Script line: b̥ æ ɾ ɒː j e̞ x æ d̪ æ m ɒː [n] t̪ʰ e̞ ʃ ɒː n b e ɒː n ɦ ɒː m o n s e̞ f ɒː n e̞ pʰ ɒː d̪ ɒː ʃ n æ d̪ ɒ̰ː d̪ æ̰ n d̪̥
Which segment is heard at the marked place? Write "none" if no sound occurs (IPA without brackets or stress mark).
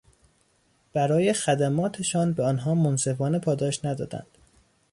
none